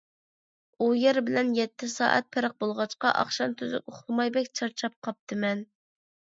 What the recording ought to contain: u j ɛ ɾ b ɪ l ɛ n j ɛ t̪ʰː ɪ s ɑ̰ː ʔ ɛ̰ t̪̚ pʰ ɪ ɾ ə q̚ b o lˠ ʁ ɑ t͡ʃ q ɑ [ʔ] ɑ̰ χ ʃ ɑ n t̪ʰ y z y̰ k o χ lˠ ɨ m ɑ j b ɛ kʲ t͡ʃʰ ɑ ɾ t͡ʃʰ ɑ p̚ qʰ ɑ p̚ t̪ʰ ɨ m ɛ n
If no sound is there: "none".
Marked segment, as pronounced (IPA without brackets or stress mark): ʔ